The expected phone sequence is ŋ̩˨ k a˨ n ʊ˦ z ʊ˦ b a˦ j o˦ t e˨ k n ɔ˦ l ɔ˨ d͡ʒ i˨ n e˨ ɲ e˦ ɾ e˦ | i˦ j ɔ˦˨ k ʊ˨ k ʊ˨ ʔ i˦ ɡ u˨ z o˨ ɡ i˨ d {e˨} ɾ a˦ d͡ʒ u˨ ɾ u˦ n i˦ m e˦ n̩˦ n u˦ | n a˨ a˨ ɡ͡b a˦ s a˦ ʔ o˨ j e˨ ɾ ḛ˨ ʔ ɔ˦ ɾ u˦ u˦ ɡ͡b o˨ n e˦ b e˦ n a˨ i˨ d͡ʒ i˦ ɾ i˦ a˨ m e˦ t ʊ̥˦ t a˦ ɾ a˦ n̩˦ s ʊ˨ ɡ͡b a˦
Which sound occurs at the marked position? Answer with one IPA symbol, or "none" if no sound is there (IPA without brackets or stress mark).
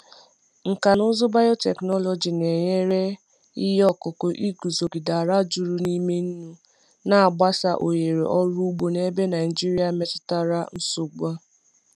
a˨